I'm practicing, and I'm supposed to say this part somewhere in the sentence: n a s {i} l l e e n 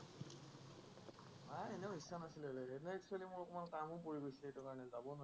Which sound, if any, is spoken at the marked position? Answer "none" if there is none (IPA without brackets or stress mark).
i